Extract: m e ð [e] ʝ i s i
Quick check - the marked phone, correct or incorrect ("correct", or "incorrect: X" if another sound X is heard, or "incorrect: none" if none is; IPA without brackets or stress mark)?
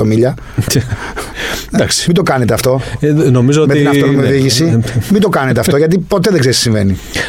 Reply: incorrect: i